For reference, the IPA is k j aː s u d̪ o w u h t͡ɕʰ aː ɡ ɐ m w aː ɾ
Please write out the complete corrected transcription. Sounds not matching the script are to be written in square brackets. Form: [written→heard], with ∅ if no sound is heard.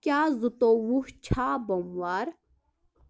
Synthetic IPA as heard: k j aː [s→z] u [d̪→t̪] o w u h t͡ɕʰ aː [ɡ→b] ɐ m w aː ɾ